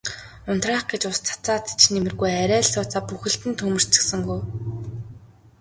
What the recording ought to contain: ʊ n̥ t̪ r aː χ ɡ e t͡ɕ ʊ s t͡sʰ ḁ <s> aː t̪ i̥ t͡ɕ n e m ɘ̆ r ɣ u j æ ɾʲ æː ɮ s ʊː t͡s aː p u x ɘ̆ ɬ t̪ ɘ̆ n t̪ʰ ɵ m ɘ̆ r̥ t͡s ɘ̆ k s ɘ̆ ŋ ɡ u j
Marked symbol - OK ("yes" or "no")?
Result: no